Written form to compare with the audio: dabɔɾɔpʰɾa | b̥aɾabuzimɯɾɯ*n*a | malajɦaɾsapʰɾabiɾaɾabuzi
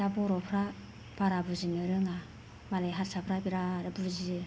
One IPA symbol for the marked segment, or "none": ŋ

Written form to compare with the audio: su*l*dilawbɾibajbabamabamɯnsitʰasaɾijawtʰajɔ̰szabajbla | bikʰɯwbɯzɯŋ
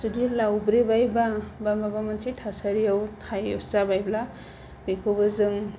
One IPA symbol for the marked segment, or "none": none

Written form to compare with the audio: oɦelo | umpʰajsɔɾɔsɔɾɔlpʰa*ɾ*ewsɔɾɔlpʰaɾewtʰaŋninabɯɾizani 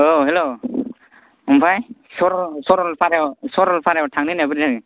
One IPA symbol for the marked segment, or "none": ɾ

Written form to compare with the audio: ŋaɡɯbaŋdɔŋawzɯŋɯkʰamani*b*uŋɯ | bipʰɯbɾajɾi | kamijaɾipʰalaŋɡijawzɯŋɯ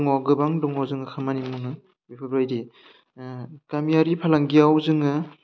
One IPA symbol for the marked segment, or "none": m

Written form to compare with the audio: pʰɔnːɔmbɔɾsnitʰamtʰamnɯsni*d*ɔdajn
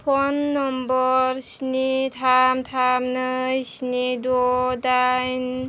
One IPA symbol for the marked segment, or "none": d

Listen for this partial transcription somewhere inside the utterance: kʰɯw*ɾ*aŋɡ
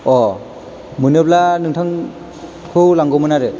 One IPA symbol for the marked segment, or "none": l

